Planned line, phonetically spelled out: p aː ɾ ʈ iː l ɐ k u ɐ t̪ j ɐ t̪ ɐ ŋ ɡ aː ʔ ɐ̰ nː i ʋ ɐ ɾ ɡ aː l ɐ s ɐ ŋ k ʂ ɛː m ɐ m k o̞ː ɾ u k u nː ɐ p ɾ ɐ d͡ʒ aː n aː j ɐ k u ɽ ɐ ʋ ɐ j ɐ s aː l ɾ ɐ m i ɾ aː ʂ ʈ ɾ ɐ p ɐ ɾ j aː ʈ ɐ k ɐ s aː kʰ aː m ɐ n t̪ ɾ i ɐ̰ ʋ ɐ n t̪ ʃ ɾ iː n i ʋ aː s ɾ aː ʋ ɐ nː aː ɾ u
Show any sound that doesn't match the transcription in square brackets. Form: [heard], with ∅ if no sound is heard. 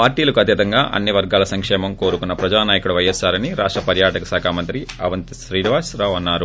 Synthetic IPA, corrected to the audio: p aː ɾ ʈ iː l ɐ k u ɐ t̪ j ɐ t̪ ɐ ŋ ɡ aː ʔ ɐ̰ nː i ʋ ɐ ɾ ɡ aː l ɐ s ɐ ŋ k ʂ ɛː m ɐ m k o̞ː ɾ u k u nː ɐ p ɾ ɐ d͡ʒ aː n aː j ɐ k u ɽ ɐ ʋ ɐ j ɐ s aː [∅] ɾ ɐ [n] i ɾ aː ʂ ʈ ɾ ɐ p ɐ ɾ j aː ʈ ɐ k ɐ s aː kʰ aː m ɐ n t̪ ɾ i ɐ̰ ʋ ɐ n t̪ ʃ ɾ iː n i ʋ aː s ɾ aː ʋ ɐ nː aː ɾ u